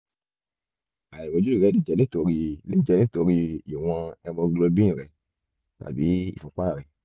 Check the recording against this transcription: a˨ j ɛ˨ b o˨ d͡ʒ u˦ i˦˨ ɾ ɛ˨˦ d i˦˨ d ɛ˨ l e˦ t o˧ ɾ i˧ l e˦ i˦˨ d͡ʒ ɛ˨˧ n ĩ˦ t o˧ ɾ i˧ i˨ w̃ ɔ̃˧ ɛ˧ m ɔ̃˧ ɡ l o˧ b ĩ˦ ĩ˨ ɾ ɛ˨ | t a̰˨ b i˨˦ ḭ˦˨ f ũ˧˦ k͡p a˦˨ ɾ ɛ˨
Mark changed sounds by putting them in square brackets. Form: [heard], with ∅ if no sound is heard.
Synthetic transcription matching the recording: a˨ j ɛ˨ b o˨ d͡ʒ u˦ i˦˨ ɾ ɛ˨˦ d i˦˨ [d͡ʒ] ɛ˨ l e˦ t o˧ ɾ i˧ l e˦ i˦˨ d͡ʒ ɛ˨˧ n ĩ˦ t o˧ ɾ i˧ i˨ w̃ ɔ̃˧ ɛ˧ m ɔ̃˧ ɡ l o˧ b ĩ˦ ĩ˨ ɾ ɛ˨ | t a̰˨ b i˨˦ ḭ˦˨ f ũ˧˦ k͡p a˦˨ ɾ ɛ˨